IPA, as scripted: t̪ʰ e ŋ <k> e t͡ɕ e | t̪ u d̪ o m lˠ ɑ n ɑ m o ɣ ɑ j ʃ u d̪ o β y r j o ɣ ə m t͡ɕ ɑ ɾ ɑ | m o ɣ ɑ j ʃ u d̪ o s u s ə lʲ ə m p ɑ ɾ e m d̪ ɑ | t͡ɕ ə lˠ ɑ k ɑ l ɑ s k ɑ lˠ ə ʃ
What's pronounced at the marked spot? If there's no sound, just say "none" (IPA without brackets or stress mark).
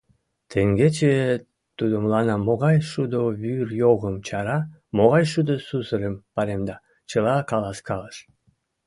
ɡ